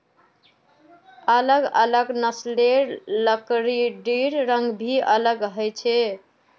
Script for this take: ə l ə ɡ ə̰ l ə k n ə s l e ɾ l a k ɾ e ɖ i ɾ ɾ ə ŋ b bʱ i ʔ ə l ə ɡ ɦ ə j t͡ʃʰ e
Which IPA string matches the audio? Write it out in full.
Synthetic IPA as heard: ə l ə ɡ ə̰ l ə ɡ n ə s l e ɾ l ə k ɾ i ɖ i ɾ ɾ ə ŋ ɡ bʱ i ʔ ə l ə ɡ ɦ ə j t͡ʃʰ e